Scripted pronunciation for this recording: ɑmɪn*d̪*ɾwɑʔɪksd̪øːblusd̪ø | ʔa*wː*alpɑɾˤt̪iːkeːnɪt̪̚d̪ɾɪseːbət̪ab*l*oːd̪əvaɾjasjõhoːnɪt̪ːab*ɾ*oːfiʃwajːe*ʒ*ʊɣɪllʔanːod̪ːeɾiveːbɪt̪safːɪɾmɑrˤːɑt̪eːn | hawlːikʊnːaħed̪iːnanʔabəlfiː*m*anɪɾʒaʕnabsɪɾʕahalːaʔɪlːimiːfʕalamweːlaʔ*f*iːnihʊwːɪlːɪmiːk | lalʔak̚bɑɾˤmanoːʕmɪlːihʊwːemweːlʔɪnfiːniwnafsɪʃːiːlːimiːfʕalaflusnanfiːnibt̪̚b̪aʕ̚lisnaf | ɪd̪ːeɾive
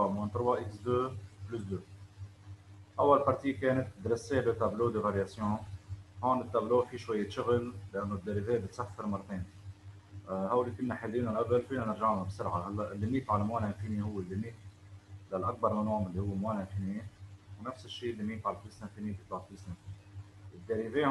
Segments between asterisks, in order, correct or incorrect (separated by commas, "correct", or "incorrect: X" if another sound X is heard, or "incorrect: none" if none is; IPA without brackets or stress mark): incorrect: t̪, correct, correct, incorrect: l, incorrect: ʃ, incorrect: n, correct